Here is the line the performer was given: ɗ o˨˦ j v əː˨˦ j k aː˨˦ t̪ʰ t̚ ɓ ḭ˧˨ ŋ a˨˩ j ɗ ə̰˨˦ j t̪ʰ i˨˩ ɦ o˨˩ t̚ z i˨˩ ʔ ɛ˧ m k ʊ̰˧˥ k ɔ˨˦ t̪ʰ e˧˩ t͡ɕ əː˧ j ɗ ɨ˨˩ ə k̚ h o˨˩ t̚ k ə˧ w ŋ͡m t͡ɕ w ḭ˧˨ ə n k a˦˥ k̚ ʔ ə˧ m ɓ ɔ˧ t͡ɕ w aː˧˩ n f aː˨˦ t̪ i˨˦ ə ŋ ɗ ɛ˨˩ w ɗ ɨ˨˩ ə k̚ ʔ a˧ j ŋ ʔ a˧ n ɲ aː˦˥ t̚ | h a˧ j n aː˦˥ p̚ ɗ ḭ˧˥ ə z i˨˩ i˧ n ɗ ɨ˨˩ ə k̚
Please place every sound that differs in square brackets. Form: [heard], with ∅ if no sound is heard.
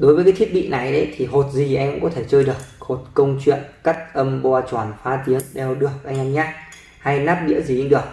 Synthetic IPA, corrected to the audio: ɗ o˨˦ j v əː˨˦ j k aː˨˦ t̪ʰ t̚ ɓ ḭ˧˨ [n] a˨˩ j ɗ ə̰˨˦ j t̪ʰ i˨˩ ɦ o˨˩ t̚ z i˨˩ ʔ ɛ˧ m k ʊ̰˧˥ k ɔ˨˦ t̪ʰ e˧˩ t͡ɕ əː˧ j ɗ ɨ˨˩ ə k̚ h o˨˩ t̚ k ə˧ w ŋ͡m t͡ɕ w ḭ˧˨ ə n k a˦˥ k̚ ʔ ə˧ m ɓ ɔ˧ t͡ɕ w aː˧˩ n f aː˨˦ t̪ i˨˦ ə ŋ ɗ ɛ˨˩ w ɗ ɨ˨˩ ə k̚ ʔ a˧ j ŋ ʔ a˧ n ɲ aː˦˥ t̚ | h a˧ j n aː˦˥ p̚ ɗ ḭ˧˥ ə z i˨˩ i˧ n ɗ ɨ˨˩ ə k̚